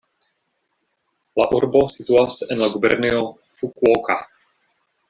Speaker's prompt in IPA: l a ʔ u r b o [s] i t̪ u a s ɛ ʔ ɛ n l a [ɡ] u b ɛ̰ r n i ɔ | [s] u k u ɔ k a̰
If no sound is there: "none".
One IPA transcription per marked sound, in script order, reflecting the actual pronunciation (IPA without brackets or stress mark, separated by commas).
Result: s, ɡ, f